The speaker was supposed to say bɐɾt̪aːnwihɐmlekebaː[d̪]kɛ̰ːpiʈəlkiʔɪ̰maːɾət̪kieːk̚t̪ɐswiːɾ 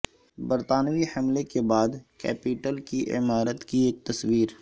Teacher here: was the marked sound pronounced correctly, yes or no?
yes